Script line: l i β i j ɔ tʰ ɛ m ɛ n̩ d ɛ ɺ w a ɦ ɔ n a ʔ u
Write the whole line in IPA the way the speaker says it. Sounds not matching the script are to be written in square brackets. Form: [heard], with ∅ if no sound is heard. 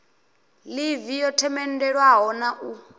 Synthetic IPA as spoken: l i [v] i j ɔ tʰ ɛ m ɛ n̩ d ɛ ɺ w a ɦ ɔ n a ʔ u